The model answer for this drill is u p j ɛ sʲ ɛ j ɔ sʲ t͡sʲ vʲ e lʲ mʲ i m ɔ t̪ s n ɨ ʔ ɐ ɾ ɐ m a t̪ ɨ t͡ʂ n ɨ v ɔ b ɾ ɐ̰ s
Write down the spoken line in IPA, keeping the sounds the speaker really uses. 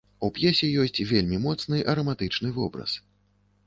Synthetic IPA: u p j ɛ sʲ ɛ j ɔ sʲ t͡sʲ vʲ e lʲ mʲ i m ɔ t̪ s n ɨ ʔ ɐ ɾ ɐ m a t̪ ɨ t͡ʂ n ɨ v ɔ b ɾ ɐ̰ s